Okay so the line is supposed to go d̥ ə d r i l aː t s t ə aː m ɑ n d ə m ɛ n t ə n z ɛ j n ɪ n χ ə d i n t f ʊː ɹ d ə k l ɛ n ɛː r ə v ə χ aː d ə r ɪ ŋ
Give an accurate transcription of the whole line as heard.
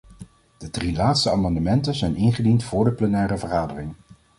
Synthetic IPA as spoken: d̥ ə d r i l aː t s t ə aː m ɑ n d ə m ɛ n t ə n z ɛ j n ɪ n χ ə d i n t f ʊː ɹ d ə p l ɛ n ɛː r ə v ə χ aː d ə r ɪ ŋ